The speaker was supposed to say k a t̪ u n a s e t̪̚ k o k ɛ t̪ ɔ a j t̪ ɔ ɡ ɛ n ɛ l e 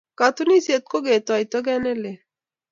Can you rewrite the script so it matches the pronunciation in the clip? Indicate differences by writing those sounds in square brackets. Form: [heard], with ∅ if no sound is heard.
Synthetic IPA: k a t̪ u n [i] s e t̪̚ k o [ɡ] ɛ t̪ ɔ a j t̪ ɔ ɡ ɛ n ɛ l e